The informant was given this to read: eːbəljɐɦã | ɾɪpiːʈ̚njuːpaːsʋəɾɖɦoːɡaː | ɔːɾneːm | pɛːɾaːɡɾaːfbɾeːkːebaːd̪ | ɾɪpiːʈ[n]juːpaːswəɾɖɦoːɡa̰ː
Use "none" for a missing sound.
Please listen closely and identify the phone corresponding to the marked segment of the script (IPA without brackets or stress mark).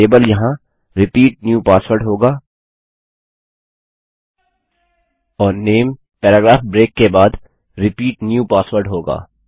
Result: n